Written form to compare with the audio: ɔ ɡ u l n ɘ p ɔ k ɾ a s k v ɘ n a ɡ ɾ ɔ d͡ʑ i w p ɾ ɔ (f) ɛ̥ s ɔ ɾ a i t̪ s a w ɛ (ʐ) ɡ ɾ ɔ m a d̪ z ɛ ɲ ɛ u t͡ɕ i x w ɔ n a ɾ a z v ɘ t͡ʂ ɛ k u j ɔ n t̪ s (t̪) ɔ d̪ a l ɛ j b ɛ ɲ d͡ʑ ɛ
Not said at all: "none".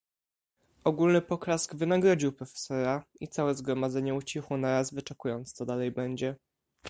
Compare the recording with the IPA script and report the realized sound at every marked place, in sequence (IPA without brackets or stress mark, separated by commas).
f, z, t̪